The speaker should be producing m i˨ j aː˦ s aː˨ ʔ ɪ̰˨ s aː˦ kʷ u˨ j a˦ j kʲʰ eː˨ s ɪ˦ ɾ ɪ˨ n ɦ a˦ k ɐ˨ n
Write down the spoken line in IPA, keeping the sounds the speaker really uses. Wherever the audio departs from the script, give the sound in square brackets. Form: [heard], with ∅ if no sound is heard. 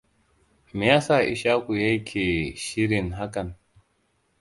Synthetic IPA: m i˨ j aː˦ s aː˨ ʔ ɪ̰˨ [ʃ] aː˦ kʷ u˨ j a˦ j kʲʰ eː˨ [ʃ] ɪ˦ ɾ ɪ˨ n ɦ a˦ k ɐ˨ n